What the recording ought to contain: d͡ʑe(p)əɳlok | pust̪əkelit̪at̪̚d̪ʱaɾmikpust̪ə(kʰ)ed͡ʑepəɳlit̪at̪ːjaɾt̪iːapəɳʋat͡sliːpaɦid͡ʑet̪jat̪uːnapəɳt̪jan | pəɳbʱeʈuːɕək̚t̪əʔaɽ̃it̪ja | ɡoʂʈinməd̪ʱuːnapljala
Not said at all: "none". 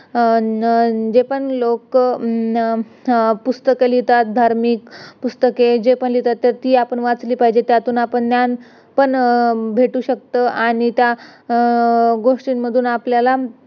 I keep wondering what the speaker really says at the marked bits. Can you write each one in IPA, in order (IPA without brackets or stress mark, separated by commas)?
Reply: p, k